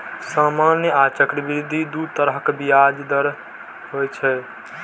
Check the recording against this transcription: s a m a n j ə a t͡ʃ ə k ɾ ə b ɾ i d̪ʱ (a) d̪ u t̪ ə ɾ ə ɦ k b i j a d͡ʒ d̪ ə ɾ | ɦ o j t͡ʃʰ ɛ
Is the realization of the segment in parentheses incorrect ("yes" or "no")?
yes